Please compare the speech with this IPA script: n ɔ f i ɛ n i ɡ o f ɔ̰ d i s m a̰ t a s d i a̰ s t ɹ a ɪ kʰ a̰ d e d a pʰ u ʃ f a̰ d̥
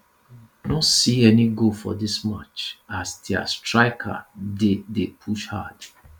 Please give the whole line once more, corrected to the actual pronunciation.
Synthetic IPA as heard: n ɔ s i ɛ n i ɡ o f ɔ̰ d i s m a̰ t͡ʃ a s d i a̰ s t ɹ a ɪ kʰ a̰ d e d e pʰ u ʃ h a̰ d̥